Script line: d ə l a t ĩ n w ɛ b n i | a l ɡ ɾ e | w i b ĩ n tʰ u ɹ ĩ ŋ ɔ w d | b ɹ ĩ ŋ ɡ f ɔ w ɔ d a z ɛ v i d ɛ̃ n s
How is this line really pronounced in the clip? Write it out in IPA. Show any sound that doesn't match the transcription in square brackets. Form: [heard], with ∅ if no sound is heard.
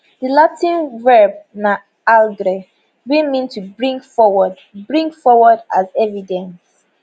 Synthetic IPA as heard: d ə l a t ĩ n [v] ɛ b n [a] | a l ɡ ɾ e | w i [m] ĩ n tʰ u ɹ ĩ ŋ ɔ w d | b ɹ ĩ ŋ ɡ f ɔ w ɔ d a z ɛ v i d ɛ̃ n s